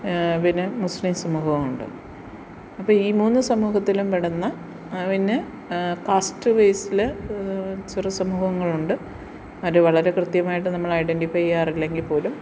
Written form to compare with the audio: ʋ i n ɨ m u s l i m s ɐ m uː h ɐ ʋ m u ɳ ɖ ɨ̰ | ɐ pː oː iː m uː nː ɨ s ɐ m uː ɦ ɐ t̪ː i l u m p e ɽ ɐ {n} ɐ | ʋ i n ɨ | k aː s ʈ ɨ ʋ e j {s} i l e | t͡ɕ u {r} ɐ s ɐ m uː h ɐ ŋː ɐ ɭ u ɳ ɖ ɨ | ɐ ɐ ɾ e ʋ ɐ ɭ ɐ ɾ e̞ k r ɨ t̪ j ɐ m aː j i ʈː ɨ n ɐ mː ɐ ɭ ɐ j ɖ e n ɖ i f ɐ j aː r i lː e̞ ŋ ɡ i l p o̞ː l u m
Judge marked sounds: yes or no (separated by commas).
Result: no, yes, yes